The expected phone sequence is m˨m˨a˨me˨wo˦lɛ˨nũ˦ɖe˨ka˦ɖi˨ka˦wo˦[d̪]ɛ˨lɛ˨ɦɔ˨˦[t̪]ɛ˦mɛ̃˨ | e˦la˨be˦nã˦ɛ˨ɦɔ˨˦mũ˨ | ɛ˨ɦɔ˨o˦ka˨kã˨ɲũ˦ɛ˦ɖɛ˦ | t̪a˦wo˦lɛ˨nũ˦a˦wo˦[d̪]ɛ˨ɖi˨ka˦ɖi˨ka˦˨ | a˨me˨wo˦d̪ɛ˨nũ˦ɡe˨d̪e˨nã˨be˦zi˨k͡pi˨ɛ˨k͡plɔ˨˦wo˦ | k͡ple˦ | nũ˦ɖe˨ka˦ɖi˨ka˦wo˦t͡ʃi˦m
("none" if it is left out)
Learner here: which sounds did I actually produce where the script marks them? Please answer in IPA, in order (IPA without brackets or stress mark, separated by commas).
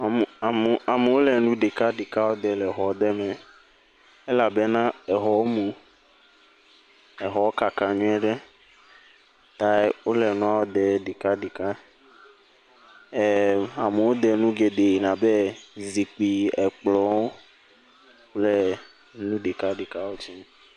d̪, d̪, d̪